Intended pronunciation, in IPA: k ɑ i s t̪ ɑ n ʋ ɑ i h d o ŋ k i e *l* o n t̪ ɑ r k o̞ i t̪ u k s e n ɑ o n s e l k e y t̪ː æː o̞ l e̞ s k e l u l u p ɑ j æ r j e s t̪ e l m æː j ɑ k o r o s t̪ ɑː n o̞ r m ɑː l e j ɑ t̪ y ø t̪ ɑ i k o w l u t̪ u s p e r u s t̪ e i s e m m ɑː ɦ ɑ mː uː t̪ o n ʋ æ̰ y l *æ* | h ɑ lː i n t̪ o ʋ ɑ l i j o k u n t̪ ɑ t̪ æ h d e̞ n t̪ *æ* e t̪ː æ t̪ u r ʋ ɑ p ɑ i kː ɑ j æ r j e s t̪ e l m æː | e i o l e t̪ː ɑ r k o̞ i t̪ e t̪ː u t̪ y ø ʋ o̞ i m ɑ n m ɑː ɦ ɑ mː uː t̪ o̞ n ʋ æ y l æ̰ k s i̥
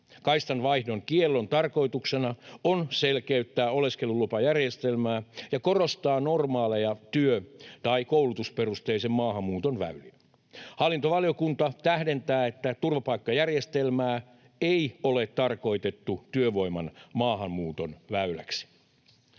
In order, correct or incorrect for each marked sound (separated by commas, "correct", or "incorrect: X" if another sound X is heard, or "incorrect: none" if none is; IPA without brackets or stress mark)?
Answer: incorrect: lː, incorrect: i, incorrect: æː